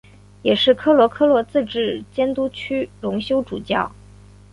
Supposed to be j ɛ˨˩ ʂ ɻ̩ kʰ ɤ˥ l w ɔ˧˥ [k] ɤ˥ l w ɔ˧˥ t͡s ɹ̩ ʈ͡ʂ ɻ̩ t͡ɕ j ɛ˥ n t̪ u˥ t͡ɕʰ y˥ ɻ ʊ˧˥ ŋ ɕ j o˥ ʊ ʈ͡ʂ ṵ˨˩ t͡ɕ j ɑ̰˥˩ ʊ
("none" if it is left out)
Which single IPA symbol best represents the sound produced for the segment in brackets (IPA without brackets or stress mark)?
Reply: kʰ